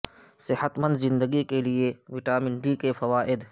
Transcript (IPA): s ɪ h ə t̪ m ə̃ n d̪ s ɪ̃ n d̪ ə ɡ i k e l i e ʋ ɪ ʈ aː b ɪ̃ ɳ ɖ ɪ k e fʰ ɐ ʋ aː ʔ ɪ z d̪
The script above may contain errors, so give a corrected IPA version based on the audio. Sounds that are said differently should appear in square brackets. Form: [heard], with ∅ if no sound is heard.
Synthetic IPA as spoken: s ɪ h ə t̪ m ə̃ n d̪ [z] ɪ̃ n d̪ ə ɡ i k e l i e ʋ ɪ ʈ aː [m] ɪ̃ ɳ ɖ [i] k e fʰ ɐ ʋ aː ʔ ɪ [∅] d̪